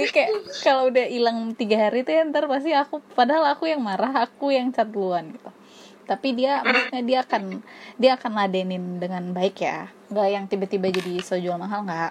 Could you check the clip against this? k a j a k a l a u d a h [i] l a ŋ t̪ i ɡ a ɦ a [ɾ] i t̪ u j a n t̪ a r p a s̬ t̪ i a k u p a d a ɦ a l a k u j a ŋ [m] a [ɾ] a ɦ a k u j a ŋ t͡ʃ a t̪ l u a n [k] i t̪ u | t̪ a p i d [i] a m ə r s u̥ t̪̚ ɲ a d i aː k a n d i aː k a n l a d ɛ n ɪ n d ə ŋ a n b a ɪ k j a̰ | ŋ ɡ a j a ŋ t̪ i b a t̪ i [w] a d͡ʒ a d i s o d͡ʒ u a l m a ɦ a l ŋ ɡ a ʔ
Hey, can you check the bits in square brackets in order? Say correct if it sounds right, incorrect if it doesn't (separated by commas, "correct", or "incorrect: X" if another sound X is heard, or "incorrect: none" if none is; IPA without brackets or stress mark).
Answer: correct, correct, correct, correct, incorrect: ɡ, correct, incorrect: b